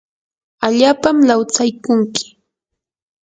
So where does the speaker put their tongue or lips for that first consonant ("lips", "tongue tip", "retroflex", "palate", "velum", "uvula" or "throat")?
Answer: palate